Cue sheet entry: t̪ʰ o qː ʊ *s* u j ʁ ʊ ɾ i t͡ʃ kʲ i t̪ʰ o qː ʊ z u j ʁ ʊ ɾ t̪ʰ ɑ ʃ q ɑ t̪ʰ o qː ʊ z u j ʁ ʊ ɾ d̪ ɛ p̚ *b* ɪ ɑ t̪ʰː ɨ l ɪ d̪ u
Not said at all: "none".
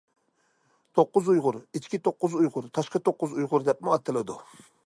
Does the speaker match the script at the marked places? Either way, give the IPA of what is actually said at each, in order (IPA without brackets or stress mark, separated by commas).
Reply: z, m